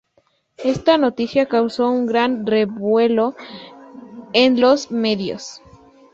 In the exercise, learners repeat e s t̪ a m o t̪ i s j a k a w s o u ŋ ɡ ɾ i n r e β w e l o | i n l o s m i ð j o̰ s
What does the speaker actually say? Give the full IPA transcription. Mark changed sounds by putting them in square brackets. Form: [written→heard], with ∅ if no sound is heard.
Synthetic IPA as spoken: e s t̪ a [m→n] o t̪ i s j a k a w s o u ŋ ɡ ɾ [i→a] n r e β w e l o | [i→e] n l o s m [i→e] ð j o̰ s